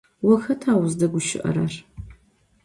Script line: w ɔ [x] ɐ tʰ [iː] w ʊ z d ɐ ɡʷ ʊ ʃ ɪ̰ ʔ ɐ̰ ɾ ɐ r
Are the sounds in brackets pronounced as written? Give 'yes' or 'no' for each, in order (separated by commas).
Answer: yes, no